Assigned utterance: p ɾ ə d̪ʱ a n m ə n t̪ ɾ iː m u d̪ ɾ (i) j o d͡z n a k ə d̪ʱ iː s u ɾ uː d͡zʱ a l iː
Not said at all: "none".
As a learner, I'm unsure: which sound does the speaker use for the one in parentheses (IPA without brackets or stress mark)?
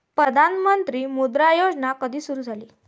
a